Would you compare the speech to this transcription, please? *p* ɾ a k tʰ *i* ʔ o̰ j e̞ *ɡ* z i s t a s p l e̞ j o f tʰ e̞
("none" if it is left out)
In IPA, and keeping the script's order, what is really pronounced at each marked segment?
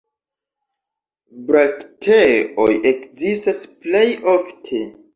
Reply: b, e, k

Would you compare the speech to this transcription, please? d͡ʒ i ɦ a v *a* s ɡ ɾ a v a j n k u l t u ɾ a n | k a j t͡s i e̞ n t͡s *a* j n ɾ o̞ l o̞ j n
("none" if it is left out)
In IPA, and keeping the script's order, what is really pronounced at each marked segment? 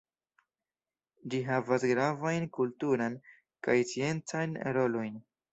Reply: a, a

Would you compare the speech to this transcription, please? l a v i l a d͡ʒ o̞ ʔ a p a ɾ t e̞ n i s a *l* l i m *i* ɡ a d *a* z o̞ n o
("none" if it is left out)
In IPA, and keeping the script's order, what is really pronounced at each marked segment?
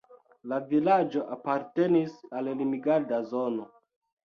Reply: l, i, a

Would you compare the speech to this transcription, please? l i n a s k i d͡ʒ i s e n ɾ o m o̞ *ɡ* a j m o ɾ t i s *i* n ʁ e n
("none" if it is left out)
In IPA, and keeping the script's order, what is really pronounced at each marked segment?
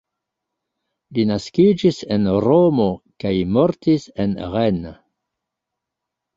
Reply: k, e

